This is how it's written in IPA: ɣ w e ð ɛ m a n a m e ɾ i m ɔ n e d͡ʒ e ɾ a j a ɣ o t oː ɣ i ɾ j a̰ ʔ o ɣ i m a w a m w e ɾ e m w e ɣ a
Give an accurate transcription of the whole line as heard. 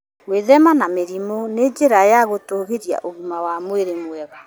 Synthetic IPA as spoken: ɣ w e ð ɛ m a n a m e ɾ i m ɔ n e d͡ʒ e ɾ a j a ɣ o t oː ɣ e ɾ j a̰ ʔ o ɣ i m a w a m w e ɾ e m w ɛ ɣ a